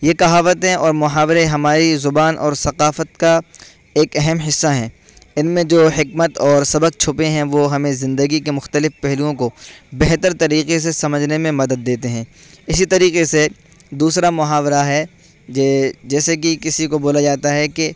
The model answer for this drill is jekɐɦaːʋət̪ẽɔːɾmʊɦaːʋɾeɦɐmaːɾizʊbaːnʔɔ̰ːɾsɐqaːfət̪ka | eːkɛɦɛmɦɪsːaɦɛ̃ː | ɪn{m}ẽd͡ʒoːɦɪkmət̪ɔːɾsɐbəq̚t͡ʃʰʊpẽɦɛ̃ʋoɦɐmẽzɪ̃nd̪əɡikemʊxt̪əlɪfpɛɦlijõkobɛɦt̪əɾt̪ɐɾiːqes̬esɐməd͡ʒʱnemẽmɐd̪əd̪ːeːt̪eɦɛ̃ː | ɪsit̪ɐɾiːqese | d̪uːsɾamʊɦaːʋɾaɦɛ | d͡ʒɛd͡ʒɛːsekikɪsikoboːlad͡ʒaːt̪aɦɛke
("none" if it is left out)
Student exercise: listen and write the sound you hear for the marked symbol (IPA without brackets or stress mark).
m